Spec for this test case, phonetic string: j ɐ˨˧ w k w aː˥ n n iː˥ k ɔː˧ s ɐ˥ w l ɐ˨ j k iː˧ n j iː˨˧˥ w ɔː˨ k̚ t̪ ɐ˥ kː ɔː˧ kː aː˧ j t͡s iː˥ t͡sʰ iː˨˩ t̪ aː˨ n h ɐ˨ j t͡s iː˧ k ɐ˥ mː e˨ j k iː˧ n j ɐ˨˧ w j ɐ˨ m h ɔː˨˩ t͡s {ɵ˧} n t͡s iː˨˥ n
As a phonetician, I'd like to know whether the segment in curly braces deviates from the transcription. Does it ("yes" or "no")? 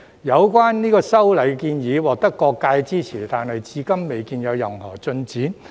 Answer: no